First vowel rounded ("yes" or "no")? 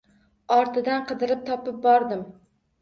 yes